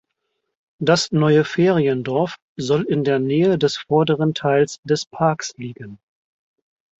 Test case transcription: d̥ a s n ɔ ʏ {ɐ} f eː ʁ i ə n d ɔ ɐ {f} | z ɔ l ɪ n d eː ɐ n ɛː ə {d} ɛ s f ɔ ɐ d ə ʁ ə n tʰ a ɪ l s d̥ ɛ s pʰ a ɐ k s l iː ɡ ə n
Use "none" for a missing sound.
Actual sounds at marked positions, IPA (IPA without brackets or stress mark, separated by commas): ə, f, d